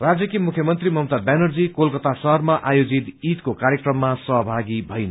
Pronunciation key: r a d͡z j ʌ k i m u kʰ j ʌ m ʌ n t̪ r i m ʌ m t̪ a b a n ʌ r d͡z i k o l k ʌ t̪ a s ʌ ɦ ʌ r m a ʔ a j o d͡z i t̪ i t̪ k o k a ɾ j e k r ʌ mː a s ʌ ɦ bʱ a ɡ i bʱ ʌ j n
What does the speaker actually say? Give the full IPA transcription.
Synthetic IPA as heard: r a d͡z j ʌ k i m u kʰ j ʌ m ʌ n t̪ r i m ʌ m t̪ a b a n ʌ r d͡z i k o l k ʌ t̪ a s ʌ ɦ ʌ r m a ʔ a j o d͡z i t̪ i t̪ k o k a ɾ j e k r ʌ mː a s ʌ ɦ bʱ a ɡ i bʱ ʌ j n